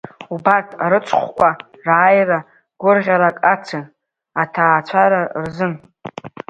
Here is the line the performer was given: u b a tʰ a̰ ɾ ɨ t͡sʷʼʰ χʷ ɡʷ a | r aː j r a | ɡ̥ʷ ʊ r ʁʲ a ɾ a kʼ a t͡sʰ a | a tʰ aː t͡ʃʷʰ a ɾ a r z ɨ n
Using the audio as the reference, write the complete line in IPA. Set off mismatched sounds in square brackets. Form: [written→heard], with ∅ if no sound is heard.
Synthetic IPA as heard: u b a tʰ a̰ ɾ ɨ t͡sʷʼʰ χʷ [ɡʷ→kʷ] a | r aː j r a | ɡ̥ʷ ʊ r ʁʲ a ɾ a kʼ a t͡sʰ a | a tʰ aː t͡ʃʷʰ a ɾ a r z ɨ n